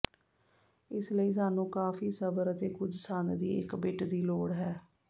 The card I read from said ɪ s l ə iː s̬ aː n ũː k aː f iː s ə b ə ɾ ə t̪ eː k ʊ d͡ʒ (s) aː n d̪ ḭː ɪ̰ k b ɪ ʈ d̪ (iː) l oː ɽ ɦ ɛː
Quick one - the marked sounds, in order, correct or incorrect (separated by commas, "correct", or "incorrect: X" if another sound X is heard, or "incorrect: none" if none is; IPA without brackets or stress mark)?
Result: correct, correct